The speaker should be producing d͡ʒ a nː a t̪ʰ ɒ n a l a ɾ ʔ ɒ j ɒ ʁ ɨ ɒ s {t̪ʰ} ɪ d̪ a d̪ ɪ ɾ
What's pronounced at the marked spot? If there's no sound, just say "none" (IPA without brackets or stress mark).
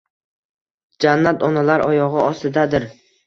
t̪